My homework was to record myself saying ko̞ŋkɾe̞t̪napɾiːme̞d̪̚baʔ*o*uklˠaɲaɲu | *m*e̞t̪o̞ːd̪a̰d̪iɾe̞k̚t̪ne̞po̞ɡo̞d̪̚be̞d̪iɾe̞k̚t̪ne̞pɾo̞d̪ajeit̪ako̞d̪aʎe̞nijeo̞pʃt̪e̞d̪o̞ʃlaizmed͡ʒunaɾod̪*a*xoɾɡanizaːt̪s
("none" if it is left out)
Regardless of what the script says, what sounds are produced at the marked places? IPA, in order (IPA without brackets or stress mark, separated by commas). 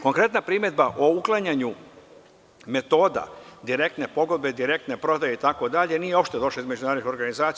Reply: o, m, i